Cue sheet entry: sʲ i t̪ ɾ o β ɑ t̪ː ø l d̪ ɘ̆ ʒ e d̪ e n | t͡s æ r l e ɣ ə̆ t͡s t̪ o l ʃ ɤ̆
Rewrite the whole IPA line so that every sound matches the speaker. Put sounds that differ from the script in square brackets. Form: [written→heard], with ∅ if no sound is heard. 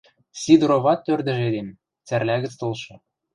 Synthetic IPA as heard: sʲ i [t̪→d̪] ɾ o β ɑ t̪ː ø [l→r] d̪ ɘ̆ ʒ e d̪ e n | t͡s æ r l [e→æ] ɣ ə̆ t͡s t̪ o l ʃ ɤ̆

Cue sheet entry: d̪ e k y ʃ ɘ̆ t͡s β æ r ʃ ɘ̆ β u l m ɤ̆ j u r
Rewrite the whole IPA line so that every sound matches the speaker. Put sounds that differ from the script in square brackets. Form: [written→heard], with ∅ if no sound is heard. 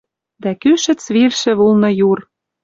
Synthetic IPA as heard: d̪ [e→æ] k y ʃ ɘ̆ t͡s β [æ→i] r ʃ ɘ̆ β u l [m→n] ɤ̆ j u r

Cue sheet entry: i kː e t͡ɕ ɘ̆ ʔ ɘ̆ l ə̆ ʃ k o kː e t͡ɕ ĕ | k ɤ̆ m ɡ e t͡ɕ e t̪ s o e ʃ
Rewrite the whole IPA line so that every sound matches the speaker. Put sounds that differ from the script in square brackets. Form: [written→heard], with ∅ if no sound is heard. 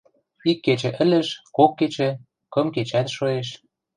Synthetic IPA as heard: i kː e t͡ɕ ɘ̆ ʔ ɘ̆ l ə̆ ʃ k o kː e t͡ɕ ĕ | k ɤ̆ m [ɡ→k] e t͡ɕ [e→æ] t̪ [s→ʃ] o e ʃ

